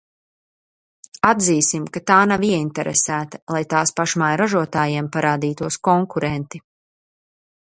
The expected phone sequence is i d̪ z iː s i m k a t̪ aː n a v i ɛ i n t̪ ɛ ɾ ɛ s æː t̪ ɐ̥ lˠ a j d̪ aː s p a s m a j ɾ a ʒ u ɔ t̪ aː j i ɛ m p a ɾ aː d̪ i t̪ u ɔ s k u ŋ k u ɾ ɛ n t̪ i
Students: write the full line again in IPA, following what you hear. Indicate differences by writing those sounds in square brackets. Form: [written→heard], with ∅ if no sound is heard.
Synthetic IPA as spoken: [i→a] d̪ z iː s i m k a t̪ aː n a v i ɛ i n t̪ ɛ ɾ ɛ s æː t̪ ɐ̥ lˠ a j [d̪→t̪] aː s p a [s→ʃ] m a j ɾ a ʒ u ɔ t̪ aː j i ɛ m p a ɾ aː d̪ [i→iː] t̪ u ɔ s k [u→ɔ] ŋ k u ɾ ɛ n t̪ i